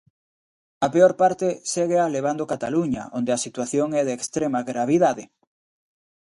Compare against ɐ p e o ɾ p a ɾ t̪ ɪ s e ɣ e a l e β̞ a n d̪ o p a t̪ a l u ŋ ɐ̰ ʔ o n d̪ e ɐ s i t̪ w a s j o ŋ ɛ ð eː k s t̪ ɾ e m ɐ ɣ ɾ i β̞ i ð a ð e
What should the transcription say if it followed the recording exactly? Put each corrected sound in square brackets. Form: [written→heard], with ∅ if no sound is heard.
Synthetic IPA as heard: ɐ p e o ɾ p a ɾ t̪ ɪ s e ɣ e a l e β̞ a n d̪ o [p→k] a t̪ a l u [ŋ→ɲ] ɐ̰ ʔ o n d̪ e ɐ s i t̪ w a [s→θ] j o ŋ ɛ ð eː k s t̪ ɾ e m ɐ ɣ ɾ [i→a] β̞ i ð a ð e